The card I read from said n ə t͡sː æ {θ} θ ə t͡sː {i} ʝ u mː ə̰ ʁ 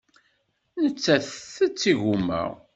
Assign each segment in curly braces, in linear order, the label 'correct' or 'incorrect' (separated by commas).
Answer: correct, correct